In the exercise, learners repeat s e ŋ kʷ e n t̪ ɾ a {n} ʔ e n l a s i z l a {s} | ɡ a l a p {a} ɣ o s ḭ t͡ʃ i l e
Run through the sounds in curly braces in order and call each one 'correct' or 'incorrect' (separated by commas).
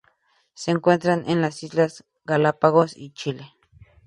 correct, correct, correct